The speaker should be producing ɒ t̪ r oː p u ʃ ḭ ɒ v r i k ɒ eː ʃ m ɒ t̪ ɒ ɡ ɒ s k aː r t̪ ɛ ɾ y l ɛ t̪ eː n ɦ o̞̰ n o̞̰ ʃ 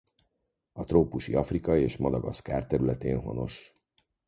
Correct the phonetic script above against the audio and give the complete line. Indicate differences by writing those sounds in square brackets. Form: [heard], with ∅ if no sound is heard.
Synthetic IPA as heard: ɒ t̪ r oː p u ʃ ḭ ɒ [f] r i k ɒ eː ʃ m ɒ [d̪] ɒ ɡ ɒ s k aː r t̪ ɛ ɾ y l ɛ t̪ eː n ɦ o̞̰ n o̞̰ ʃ